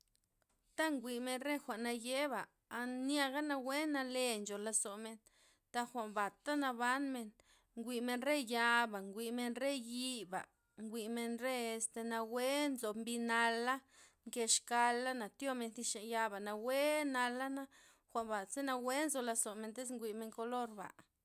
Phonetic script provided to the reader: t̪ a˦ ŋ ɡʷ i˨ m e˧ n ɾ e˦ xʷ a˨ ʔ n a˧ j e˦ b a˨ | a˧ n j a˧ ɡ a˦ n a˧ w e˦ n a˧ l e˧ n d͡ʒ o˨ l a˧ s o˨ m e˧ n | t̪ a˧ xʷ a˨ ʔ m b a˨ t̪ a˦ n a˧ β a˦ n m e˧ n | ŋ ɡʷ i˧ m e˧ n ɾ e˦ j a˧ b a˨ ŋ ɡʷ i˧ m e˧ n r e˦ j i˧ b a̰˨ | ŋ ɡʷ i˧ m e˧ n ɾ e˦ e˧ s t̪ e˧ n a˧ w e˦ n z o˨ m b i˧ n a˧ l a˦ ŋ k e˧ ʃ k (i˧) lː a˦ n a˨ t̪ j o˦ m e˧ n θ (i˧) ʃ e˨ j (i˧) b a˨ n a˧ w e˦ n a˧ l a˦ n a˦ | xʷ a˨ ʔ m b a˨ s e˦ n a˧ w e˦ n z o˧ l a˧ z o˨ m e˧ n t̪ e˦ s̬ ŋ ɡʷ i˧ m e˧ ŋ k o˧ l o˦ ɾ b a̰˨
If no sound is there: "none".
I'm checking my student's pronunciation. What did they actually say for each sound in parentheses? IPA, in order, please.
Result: a˧, i˧, a˧

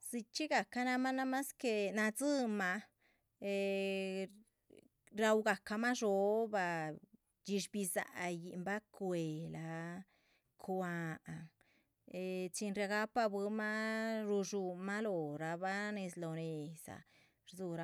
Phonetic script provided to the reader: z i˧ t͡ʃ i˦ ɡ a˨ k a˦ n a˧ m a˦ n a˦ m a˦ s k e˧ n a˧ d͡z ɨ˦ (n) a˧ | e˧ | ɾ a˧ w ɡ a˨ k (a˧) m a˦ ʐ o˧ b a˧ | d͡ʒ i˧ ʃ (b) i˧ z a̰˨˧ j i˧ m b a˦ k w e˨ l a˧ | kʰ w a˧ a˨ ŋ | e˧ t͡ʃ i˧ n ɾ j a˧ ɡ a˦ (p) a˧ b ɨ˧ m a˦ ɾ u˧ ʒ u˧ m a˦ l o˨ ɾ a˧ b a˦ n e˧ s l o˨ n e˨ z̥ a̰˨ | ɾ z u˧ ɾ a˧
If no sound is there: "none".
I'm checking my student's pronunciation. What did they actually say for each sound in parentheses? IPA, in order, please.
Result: m, a˧, b, p

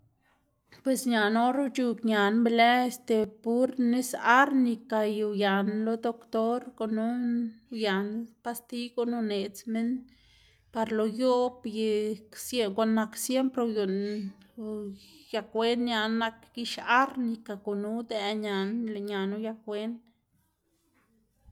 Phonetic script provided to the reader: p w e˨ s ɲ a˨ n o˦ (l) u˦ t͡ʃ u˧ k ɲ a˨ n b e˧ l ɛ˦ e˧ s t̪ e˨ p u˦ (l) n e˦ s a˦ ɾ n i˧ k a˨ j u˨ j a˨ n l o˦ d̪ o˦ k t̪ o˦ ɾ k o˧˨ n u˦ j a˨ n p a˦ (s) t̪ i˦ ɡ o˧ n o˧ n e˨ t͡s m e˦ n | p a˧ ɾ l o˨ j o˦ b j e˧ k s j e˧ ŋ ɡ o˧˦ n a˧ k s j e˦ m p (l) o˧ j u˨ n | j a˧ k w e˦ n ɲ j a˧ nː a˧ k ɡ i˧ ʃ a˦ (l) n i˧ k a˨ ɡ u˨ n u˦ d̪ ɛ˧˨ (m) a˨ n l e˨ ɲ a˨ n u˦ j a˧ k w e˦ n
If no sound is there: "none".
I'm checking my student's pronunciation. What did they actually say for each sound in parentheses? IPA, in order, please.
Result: ɾ, ɾ, s, ɾ, ɾ, ɲ

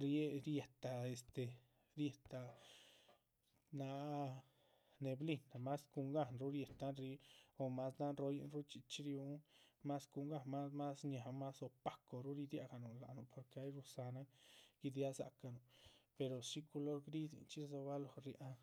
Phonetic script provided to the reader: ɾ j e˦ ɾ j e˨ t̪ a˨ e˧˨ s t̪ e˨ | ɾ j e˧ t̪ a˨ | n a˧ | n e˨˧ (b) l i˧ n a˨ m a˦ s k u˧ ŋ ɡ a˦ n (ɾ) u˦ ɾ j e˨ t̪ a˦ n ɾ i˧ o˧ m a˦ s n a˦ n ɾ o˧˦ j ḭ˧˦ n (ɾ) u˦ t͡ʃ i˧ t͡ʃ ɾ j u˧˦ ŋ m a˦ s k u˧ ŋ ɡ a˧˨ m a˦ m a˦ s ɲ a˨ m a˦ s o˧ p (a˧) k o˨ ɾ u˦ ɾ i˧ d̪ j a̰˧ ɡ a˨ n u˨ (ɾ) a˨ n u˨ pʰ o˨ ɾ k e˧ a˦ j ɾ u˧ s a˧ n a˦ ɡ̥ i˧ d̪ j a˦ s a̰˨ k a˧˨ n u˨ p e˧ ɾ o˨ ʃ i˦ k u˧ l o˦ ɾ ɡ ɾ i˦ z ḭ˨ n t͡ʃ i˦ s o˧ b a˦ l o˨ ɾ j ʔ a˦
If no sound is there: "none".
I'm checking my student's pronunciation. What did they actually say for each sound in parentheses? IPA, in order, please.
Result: b, ɾ, ɾ, a˧, l

